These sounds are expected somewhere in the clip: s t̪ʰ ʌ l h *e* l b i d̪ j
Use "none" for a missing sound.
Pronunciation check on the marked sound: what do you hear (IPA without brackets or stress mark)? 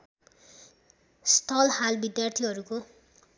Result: a